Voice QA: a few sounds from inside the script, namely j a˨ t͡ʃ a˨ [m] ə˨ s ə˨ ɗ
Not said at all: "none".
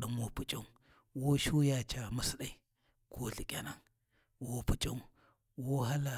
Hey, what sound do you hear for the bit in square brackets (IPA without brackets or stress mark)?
m